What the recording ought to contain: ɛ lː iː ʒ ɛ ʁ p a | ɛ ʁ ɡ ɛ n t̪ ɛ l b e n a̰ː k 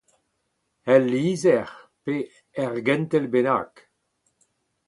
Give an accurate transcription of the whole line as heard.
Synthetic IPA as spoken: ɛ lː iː z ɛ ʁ p e | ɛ ʁ ɡ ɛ n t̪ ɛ l b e n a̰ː k